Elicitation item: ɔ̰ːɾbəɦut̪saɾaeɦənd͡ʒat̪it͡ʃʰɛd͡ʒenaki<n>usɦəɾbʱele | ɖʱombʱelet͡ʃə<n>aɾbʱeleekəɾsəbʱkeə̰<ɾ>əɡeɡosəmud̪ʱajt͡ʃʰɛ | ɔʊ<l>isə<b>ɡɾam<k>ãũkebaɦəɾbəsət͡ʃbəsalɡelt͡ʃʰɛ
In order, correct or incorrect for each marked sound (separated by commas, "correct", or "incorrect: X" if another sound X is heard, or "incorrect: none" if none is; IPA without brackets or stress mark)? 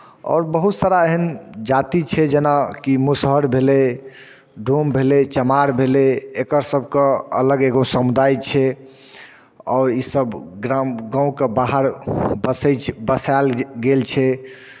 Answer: incorrect: m, incorrect: m, incorrect: l, incorrect: ɾ, correct, incorrect: ɡ